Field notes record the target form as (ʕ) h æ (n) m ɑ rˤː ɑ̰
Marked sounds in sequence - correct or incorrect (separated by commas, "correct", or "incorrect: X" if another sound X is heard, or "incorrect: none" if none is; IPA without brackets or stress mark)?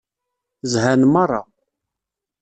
incorrect: z, correct